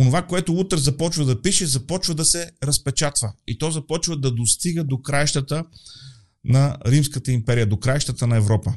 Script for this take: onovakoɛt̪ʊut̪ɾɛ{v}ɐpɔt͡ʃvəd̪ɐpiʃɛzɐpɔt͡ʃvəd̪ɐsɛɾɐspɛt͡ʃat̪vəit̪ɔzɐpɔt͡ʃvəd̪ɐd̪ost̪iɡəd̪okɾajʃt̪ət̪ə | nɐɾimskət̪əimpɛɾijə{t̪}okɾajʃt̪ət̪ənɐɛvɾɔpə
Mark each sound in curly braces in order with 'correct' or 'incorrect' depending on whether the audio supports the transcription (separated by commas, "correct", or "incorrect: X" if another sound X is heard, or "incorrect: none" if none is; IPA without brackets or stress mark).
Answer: incorrect: z, incorrect: d̪